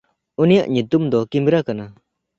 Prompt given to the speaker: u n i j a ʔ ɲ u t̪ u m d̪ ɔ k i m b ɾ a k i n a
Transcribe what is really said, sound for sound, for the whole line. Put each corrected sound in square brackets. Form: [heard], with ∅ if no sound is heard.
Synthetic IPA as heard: u n i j a ʔ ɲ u t̪ u m d̪ ɔ k i m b ɾ a k [a] n a